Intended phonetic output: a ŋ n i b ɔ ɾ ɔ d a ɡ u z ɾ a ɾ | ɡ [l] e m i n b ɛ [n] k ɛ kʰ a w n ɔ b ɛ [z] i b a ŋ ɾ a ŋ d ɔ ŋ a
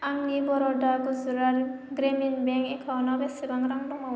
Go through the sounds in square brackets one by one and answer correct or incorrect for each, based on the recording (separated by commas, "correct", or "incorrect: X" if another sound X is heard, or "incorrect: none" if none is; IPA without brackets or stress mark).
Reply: incorrect: ɾ, incorrect: ŋ, incorrect: s